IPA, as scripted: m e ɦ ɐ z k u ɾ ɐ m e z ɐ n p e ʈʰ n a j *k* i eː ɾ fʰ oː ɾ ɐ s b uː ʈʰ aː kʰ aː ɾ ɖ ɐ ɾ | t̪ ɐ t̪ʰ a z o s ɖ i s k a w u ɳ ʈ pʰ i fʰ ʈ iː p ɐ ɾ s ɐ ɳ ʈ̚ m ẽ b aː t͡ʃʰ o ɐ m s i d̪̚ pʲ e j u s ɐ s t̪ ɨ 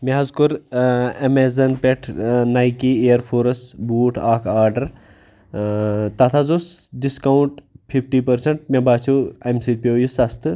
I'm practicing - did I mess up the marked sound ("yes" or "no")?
no